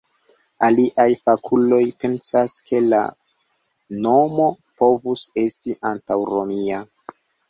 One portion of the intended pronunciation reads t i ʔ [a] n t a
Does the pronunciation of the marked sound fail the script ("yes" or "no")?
no